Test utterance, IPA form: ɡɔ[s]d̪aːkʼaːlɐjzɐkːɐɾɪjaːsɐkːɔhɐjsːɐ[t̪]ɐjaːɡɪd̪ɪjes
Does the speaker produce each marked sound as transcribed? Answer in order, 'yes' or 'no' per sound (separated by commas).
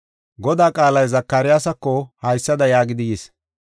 no, no